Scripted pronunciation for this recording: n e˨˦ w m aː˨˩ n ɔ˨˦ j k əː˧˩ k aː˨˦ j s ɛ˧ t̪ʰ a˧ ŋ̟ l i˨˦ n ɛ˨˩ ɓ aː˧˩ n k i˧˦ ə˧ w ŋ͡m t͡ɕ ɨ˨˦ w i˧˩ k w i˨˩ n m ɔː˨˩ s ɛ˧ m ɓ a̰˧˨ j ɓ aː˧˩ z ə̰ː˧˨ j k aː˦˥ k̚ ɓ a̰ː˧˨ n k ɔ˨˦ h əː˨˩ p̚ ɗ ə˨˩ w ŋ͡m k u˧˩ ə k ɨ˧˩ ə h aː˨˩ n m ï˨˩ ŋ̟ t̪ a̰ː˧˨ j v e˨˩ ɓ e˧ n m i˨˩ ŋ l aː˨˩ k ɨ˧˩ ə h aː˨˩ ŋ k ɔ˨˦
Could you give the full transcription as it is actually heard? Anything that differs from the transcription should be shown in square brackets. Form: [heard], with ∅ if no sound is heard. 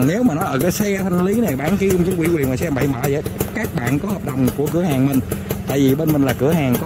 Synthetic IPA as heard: n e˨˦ w m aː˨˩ n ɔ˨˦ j [ʔ] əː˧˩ k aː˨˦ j s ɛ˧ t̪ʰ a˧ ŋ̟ l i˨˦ n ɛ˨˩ ɓ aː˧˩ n k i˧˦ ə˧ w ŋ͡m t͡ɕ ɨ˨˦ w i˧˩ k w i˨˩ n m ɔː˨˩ s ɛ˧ m ɓ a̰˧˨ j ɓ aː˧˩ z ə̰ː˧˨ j k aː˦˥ k̚ ɓ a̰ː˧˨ n k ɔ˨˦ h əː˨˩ p̚ ɗ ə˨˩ w ŋ͡m k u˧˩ ə k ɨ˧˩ ə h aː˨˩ [ŋ] m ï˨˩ ŋ̟ t̪ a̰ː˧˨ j v [i˨˩] ɓ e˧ n m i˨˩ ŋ l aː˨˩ k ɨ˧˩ ə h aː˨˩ ŋ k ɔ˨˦